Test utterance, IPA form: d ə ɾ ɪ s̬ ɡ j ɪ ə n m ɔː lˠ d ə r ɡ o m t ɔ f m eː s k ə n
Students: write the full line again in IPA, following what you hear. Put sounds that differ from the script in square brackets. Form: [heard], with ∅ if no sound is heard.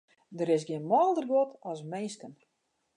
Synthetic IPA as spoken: d ə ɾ ɪ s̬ ɡ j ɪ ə n m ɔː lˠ d ə r ɡ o [∅] t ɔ [s] m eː s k ə n